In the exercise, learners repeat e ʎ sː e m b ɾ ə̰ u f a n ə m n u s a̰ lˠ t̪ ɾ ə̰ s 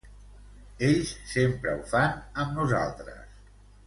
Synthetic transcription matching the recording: e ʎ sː e m p ɾ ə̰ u f a n ə m n u z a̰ lˠ t̪ ɾ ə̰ s